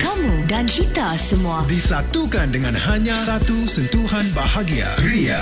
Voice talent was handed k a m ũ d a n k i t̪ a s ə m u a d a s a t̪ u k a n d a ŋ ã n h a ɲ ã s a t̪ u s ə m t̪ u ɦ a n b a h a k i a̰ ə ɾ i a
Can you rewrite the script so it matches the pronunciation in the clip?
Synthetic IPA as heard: k a m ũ d a n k i t̪ a s ə m u a d i s a t̪ u k a n d ə ŋ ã n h a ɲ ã s a t̪ u s ə n t̪ u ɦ a n b a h a ɡ i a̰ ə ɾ i a